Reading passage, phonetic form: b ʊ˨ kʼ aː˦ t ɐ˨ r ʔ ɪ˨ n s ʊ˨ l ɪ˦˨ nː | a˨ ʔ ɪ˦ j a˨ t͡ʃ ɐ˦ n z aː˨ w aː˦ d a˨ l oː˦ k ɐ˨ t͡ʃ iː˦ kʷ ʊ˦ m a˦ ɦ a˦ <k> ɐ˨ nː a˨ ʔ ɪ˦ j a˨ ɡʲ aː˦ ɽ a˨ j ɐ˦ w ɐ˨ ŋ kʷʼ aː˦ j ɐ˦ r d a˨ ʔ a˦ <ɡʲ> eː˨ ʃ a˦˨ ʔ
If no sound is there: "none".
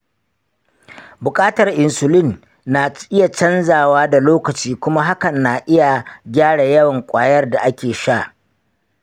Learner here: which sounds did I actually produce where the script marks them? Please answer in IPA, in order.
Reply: k, kʲ

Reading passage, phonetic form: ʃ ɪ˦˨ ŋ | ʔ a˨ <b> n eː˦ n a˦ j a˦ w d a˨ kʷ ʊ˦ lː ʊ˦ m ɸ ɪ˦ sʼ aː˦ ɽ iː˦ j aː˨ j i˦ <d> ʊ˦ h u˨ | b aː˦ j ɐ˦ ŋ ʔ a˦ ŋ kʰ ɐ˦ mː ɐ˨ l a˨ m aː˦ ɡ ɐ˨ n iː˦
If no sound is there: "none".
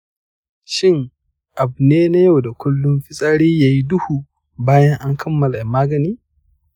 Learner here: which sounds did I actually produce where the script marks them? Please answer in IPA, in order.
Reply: b, d

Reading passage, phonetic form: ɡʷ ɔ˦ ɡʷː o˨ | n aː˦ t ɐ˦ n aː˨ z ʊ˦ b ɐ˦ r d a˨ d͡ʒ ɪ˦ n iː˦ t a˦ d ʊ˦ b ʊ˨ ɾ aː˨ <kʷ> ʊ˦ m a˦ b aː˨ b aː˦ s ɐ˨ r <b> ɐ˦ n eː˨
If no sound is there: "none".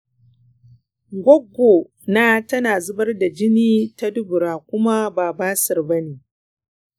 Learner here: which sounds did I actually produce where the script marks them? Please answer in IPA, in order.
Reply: kʷ, b

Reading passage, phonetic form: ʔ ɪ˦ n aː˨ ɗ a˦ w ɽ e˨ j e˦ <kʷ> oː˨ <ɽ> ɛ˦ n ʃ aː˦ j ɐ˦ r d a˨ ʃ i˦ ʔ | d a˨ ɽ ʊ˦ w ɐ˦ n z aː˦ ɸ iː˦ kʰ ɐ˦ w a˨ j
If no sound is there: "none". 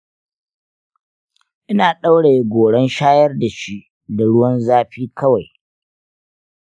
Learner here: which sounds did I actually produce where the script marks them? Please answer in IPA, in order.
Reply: ɡʷ, ɽ

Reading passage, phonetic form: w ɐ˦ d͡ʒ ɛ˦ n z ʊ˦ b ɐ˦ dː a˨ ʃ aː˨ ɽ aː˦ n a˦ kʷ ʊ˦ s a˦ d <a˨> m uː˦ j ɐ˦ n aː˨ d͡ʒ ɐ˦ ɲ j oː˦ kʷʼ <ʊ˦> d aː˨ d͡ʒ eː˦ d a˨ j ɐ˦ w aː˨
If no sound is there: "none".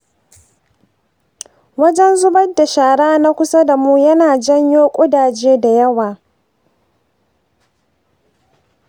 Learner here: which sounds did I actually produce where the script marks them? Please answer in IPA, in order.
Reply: a˨, ʊ˦

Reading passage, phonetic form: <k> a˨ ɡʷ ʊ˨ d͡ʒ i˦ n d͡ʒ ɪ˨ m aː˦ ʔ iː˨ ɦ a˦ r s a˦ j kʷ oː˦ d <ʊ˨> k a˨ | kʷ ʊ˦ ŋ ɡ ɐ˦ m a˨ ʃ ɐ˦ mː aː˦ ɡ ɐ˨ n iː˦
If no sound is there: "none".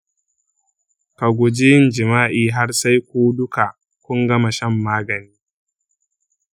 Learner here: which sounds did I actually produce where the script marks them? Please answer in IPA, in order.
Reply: k, ʊ˦

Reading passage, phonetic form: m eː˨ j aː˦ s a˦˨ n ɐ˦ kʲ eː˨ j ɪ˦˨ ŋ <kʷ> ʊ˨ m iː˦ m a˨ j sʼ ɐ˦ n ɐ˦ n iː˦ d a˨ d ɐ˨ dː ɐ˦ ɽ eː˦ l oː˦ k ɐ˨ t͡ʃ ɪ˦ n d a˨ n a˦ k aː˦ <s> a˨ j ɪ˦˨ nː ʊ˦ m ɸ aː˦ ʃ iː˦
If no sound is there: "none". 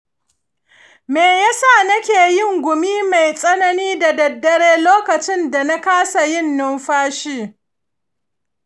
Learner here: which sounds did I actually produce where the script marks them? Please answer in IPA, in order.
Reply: ɡʷ, s

